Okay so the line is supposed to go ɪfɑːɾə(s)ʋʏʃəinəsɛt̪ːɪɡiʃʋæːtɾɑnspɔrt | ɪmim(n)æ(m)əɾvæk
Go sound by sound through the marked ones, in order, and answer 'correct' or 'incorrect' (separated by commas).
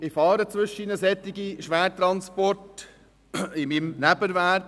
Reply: incorrect, correct, incorrect